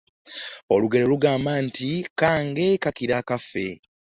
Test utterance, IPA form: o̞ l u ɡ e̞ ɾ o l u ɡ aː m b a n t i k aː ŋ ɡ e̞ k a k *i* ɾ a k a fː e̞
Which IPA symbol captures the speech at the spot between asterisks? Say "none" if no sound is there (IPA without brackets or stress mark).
i